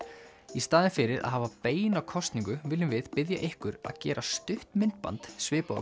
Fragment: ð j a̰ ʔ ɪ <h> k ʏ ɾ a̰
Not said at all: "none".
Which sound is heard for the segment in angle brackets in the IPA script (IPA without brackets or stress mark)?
h